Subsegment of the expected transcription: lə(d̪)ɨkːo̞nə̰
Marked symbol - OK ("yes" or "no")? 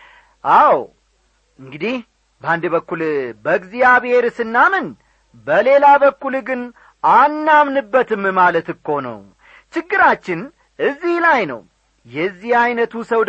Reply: no